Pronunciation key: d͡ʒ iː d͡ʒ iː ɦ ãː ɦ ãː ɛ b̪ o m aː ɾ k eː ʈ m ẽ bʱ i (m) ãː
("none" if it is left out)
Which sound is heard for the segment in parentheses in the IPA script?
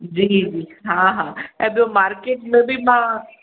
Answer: m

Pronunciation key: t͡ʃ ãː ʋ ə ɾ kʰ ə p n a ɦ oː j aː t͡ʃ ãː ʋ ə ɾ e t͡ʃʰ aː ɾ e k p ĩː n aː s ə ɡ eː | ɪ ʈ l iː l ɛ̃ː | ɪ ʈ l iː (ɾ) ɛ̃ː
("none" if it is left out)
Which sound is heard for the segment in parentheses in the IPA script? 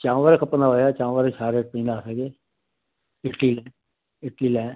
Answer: l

